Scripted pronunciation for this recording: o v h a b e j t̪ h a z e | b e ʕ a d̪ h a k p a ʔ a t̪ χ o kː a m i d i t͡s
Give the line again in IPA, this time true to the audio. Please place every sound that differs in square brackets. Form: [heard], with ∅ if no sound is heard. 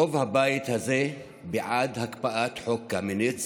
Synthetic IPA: o v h a b [a] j t̪ h a z e | b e ʕ a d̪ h a k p a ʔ a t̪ [ħ] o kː a m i [n] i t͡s

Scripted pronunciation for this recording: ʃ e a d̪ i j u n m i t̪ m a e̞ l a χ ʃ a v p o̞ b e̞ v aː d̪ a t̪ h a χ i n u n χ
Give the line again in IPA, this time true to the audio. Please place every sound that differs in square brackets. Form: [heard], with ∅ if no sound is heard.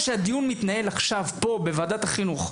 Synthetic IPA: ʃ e a d̪ i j u n m i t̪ [n] a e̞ l a χ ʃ a v p o̞ b e̞ v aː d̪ a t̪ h a χ i n u [∅] χ

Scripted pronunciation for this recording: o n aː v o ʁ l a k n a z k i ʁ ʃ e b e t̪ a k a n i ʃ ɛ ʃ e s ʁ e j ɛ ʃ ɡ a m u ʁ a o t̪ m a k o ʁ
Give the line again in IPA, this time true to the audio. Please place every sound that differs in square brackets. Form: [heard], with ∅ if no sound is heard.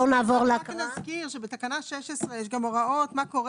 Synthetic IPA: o n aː v o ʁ l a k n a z k i ʁ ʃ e b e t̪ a k a n [a] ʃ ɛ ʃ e s ʁ e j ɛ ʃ ɡ a m [o] ʁ a o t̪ m a k o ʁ

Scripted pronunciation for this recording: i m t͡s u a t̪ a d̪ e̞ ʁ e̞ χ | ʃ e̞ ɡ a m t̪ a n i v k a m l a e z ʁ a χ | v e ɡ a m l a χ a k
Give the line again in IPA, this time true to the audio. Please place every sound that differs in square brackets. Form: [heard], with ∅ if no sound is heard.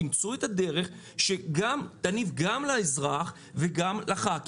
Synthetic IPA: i m t͡s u [e] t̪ a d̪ e̞ ʁ e̞ χ | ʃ e̞ ɡ a m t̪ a n i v [ɡ] a m l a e z ʁ a χ | v e ɡ a m l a χ a k

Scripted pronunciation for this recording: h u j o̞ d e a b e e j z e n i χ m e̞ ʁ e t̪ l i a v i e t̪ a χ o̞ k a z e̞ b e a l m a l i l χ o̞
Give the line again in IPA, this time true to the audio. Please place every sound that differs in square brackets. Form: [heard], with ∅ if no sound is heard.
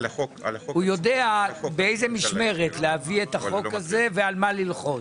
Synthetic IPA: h u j o̞ d e a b e e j z e [m] i [ʃ] m e̞ ʁ e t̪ l [e] a v i e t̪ a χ o̞ k a z e̞ [v] e a l m a l i l χ o̞

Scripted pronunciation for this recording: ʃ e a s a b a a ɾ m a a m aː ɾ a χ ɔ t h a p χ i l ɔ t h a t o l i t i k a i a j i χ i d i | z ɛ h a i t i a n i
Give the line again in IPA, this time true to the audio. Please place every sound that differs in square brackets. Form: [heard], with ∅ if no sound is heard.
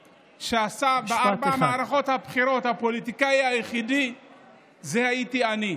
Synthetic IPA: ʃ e a s a b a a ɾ [b] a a m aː ɾ a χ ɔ t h a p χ i [ɾ] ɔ t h a [p] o l i t i k a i a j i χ i d i | z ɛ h a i t i a n i

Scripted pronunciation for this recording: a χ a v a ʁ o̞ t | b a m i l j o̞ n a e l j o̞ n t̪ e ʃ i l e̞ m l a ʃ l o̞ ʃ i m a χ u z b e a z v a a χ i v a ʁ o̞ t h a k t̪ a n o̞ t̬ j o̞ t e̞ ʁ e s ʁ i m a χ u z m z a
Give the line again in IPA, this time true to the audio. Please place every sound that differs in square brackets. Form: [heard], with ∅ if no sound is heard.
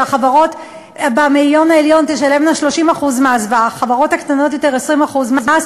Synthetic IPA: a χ a v a ʁ o̞ t | b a m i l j o̞ n a e l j o̞ n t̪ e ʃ [a] l e̞ m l a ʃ l o̞ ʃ i m a χ u z [m] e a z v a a χ [a] v a ʁ o̞ t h a k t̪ a n o̞ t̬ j o̞ t e̞ ʁ e s ʁ i m a χ u z m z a

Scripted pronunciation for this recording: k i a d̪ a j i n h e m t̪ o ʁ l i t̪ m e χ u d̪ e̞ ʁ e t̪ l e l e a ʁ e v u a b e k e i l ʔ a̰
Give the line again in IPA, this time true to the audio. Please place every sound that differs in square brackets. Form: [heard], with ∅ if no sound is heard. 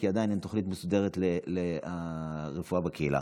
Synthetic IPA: k i a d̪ a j i n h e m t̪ o [χ] l i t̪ m e [s] u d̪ e̞ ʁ e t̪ l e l e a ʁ e [f] u a b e k e i l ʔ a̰

